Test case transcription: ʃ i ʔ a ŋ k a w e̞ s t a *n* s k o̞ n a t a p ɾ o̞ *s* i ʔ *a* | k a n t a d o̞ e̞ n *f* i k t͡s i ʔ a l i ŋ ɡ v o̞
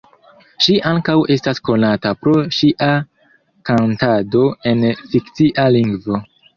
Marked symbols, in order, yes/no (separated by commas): no, no, yes, yes